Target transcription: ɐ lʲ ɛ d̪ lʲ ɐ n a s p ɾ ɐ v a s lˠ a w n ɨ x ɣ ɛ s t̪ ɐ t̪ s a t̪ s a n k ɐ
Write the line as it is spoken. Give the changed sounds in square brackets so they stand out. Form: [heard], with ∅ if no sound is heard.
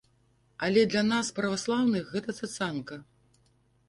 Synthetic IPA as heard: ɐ lʲ ɛ d̪ lʲ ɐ n a s p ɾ ɐ v a s lˠ a w n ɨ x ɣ ɛ [∅] t̪ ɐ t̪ s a t̪ s a n k ɐ